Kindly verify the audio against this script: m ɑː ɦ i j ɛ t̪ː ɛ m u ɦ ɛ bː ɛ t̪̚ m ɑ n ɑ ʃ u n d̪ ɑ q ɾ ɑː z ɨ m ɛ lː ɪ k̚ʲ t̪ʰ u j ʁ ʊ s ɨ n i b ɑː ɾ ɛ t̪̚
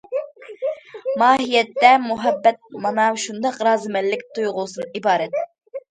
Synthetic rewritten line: m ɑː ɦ i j ɛ t̪ː ɛ m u ɦ ɛ bː ɛ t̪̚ m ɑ n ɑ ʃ u n d̪ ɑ q ɾ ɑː z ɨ m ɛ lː ɪ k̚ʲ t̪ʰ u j ʁ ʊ s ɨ n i b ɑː ɾ ɛ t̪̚